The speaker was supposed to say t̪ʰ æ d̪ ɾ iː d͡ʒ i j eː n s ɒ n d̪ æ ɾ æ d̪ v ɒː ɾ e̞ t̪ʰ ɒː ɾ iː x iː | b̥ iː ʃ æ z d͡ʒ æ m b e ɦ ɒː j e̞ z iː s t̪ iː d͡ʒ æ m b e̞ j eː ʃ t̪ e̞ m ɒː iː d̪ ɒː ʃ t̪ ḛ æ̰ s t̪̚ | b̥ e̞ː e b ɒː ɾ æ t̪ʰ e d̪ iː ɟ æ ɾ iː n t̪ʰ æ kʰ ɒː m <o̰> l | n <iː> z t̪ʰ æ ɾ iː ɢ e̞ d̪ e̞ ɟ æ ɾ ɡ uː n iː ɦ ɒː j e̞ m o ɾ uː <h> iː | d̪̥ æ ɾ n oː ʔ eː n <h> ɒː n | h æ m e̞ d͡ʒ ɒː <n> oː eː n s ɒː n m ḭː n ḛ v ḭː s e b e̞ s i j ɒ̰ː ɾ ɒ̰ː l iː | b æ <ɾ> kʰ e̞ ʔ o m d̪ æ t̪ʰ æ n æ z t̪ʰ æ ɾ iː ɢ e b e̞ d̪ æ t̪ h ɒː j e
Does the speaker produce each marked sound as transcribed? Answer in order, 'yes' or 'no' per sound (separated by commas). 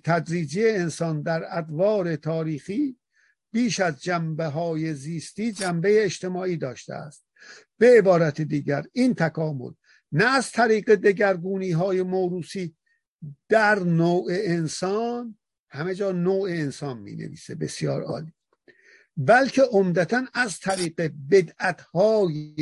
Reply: yes, no, no, no, yes, no